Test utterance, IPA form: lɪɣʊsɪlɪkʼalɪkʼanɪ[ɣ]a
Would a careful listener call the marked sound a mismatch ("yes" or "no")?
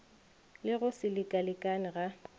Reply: no